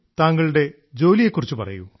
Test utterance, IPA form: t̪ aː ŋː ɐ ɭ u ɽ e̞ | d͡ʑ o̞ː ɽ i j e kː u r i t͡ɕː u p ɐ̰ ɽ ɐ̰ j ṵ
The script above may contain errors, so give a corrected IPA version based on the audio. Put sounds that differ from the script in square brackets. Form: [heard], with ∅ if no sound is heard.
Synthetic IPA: t̪ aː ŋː ɐ ɭ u ɽ e̞ | d͡ʑ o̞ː [l] i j e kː u r i t͡ɕː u p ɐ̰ [r] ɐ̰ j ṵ